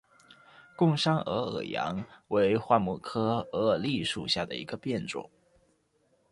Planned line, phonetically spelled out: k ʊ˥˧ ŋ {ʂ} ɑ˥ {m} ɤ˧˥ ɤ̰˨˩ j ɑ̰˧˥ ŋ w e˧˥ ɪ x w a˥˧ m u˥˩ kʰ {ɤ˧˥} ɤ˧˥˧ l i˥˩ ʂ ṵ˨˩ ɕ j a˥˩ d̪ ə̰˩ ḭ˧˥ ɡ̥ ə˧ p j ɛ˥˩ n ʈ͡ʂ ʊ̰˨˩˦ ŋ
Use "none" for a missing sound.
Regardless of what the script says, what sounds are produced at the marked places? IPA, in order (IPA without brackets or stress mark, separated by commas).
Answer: ʂ, ŋ, ɤ˥